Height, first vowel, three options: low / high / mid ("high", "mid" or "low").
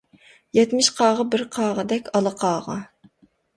mid